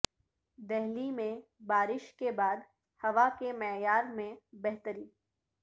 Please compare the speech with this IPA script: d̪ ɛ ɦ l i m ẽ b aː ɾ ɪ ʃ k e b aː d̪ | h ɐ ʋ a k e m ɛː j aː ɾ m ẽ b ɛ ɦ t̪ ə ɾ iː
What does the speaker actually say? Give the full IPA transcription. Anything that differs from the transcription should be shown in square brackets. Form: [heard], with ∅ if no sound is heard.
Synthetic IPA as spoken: d̪ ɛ ɦ l i m ẽ b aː ɾ ɪ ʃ k e b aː d̪ | h ɐ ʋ a k e m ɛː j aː ɾ m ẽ b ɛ ɦ t̪ ə ɾ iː